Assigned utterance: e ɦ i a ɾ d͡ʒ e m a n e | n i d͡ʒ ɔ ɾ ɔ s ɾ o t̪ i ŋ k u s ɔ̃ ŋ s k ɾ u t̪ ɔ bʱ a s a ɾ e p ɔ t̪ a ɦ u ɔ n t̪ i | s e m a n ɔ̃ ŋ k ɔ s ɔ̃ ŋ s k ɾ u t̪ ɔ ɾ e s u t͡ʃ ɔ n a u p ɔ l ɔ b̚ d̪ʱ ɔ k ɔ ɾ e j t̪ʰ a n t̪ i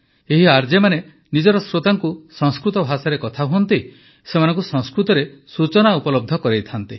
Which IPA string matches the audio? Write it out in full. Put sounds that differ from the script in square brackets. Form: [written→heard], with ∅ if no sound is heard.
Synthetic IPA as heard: e ɦ i a ɾ d͡ʒ e m a n e | n i d͡ʒ ɔ ɾ ɔ s ɾ o t̪ [i→a] ŋ k u s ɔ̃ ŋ s k ɾ u t̪ ɔ bʱ a s a ɾ e [p→k] ɔ [t̪→t̪ʰ] a ɦ u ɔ n t̪ i | s e m a n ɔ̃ ŋ k [ɔ→u] s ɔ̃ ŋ s k ɾ u t̪ ɔ ɾ e s u t͡ʃ ɔ n a u p ɔ l ɔ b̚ d̪ʱ ɔ k ɔ ɾ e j t̪ʰ a n t̪ i